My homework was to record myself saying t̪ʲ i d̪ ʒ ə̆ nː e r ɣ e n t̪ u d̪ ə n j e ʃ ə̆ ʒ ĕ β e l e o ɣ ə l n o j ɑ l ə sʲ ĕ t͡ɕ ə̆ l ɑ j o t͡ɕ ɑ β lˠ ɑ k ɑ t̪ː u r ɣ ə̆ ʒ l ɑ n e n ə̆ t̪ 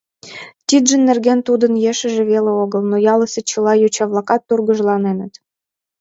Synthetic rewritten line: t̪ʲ i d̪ ʒ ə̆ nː e r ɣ e n t̪ u d̪ ə n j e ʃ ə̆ ʒ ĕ β e l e o ɣ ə l n o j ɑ l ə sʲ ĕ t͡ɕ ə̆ l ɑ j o t͡ɕ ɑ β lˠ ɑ k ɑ t̪ː u r ɣ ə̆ ʒ l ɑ n e n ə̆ t̪